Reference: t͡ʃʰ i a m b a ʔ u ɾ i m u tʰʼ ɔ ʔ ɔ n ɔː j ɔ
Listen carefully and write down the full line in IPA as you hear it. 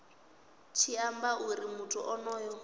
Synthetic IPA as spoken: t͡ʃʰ i a m b a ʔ u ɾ i m u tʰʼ u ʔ ɔ n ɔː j ɔ

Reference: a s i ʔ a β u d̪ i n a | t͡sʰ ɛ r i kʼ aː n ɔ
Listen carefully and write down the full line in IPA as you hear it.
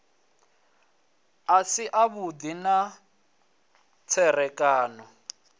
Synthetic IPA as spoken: a s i ʔ a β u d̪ i n a | t͡sʰ ɛ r ɛ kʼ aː n ɔ

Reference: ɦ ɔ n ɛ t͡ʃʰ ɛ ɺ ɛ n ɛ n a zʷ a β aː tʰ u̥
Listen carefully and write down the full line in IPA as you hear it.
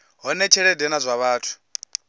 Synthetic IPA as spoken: ɦ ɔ n ɛ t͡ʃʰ ɛ ɺ ɛ d ɛ n a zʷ a β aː tʰ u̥

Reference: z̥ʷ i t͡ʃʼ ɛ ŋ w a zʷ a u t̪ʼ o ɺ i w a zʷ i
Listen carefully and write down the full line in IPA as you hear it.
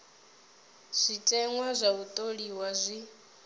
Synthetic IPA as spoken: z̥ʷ i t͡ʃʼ ɛ ŋ w a zʷ a u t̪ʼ o ɺ i w a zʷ i

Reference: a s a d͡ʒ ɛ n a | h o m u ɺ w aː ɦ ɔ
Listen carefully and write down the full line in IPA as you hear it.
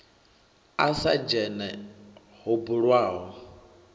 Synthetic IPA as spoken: a s a d͡ʒ ɛ n ɛ | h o b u ɺ w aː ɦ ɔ

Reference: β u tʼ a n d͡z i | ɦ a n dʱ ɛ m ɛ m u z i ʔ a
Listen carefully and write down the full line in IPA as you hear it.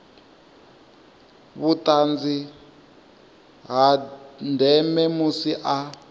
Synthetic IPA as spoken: β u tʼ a n d͡z i | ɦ a n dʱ ɛ m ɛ m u s i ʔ a

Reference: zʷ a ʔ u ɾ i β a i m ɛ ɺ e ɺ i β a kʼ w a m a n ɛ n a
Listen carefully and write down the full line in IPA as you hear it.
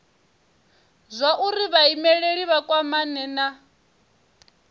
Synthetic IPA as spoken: zʷ a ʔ u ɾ i β a i m ɛ ɺ e ɺ i β a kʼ w a m a n ɛ n a

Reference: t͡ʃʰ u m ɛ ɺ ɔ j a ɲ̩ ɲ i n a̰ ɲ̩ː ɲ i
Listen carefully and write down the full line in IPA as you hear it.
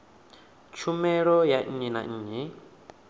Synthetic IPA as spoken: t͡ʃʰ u m ɛ ɺ ɔ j a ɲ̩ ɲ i n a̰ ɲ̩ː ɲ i

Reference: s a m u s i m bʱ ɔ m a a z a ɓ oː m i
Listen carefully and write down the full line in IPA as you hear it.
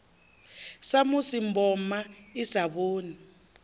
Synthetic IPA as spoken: s a m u s i m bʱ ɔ m a i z a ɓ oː n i

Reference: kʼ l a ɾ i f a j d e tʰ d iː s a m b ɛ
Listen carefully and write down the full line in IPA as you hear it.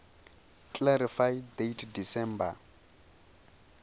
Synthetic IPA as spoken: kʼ l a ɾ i f a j d e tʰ d i s ɛ m b a

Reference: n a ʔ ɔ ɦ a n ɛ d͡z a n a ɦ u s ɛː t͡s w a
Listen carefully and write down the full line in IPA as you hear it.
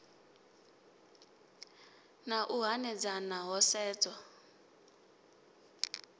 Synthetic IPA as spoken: n a ʔ u ɦ a n ɛ d͡z a n a ɦ ɔ s ɛː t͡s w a

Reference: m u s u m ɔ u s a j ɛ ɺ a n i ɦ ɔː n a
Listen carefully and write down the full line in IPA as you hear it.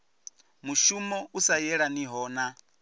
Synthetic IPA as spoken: m u ʃ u m ɔ u s a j ɛ ɺ a n i ɦ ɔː n a

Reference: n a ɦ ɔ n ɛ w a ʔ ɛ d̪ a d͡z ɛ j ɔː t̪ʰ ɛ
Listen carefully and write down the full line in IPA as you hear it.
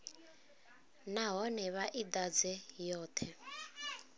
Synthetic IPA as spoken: n a ɦ ɔ n ɛ β a ʔ i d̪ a d͡z ɛ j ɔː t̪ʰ ɛ

